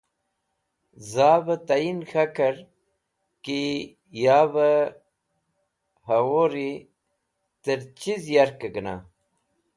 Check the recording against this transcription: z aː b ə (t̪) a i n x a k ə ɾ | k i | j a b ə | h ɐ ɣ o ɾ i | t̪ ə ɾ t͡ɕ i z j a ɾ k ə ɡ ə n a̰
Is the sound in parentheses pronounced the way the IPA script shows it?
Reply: yes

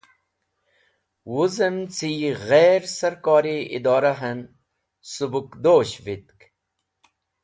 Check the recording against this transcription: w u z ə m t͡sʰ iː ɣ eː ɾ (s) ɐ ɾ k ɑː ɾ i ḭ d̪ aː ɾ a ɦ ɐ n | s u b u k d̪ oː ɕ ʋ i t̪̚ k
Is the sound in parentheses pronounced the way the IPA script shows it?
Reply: yes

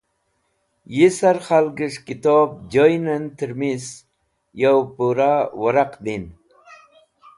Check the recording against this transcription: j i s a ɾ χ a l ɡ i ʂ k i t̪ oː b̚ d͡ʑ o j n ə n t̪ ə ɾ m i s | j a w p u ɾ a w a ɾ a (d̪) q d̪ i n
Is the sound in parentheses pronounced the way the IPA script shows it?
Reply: no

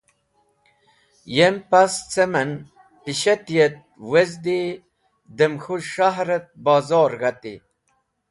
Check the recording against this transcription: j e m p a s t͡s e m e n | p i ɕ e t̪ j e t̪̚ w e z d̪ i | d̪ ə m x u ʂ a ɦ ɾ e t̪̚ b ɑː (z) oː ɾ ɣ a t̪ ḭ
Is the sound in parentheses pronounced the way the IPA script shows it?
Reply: yes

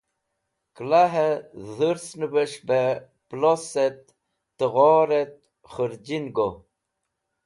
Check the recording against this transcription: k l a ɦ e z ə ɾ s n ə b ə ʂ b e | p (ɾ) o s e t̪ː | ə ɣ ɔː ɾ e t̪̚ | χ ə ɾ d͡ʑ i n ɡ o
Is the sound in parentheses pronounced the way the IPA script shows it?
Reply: no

